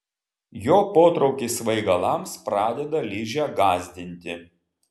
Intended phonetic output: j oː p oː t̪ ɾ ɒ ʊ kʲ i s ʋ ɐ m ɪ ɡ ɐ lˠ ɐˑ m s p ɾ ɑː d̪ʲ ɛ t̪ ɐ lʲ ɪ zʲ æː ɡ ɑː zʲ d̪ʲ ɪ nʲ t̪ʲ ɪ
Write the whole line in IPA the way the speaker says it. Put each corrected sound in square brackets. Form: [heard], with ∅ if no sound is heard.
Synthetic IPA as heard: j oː p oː t̪ ɾ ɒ ʊ kʲ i s ʋ ɐ [∅] ɪ ɡ ɐ lˠ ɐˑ m s p ɾ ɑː d̪ʲ ɛ [d̪] ɐ lʲ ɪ [ʒʲ] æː ɡ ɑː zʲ d̪ʲ ɪ nʲ t̪ʲ ɪ

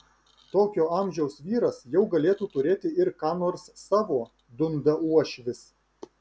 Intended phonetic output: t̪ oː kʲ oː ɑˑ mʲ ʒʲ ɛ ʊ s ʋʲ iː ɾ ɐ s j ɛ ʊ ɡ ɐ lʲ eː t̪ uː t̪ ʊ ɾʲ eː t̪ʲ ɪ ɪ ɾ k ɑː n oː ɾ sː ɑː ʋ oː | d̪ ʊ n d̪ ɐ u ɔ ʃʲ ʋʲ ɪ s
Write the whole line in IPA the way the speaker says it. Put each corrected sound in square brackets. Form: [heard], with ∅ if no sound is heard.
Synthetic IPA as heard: t̪ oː kʲ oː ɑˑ mʲ ʒʲ ɛ ʊ s ʋʲ iː ɾ ɐ s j ɛ ʊ ɡ ɐ lʲ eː t̪ uː t̪ ʊ ɾʲ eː t̪ʲ ɪ ɪ ɾ k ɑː n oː ɾ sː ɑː ʋ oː | d̪ ʊ n d̪ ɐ u ɔ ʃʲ ʋʲ ɪ s

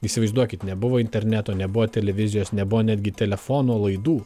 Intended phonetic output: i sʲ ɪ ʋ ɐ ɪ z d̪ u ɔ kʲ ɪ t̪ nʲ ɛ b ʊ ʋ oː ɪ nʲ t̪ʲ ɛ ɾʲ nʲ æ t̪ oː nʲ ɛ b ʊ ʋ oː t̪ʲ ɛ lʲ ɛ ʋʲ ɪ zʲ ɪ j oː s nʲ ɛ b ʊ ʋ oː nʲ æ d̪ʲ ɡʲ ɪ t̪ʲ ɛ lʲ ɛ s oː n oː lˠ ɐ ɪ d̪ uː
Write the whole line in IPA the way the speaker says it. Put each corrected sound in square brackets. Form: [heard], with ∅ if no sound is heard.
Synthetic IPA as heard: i sʲ ɪ ʋ ɐ ɪ z d̪ u ɔ kʲ ɪ t̪ nʲ ɛ b ʊ ʋ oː ɪ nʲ t̪ʲ ɛ ɾʲ nʲ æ t̪ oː nʲ ɛ b ʊ ʋ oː t̪ʲ ɛ lʲ ɛ ʋʲ ɪ zʲ ɪ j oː s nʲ ɛ b ʊ ʋ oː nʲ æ d̪ʲ ɡʲ ɪ t̪ʲ ɛ lʲ ɛ [f] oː n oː lˠ ɐ ɪ d̪ uː

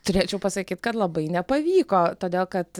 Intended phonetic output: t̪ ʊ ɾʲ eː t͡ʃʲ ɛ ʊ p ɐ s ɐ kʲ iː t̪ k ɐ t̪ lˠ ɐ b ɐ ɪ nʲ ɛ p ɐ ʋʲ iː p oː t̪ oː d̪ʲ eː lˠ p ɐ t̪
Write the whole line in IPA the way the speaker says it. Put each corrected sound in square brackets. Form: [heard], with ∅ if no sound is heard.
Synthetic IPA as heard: t̪ ʊ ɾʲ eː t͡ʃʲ ɛ ʊ p ɐ s ɐ kʲ iː t̪ k ɐ t̪ lˠ ɐ b ɐ ɪ nʲ ɛ p ɐ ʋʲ iː [k] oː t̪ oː d̪ʲ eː lˠ [k] ɐ t̪

